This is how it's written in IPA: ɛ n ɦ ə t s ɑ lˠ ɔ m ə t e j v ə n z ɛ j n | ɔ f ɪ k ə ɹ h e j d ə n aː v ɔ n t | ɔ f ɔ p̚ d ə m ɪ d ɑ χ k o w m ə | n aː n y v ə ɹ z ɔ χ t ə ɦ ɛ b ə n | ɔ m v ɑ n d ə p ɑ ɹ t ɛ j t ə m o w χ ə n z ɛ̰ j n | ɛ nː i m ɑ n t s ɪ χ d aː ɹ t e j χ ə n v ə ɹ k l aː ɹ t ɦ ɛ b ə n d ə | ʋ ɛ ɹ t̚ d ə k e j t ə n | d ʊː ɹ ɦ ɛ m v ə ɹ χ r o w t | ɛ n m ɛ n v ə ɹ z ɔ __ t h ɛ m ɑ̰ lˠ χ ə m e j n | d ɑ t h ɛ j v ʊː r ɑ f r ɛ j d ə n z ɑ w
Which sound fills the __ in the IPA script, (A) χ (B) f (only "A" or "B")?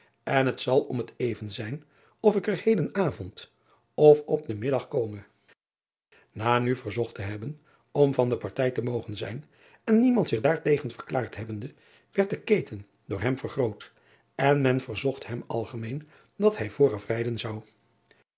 A